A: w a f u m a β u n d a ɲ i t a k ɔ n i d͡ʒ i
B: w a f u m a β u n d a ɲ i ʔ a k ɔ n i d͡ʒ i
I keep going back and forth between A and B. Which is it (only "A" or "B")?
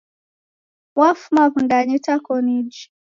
A